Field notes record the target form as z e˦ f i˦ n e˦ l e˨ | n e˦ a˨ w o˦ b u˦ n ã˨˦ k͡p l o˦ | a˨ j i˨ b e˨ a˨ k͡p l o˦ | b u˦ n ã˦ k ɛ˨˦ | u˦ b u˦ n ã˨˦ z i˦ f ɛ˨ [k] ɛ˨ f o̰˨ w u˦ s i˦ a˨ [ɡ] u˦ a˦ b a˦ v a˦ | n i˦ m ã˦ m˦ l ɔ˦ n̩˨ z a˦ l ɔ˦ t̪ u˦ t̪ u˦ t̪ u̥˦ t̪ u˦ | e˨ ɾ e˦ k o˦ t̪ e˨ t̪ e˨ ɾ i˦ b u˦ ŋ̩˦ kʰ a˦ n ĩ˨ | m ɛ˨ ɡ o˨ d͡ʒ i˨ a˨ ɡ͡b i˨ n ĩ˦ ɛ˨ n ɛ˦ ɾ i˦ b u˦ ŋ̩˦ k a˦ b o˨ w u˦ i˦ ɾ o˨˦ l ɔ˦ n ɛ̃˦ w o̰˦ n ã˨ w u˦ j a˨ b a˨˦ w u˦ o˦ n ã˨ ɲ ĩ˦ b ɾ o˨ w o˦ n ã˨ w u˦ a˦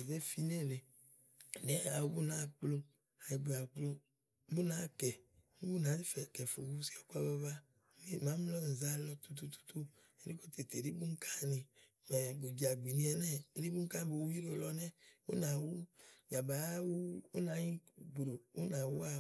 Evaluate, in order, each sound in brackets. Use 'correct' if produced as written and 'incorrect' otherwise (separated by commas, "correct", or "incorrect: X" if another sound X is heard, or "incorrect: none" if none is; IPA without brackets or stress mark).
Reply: correct, incorrect: k